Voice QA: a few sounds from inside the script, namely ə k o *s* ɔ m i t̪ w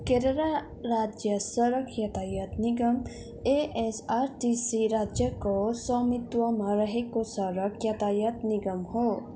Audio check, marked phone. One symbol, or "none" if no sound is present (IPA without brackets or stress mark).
s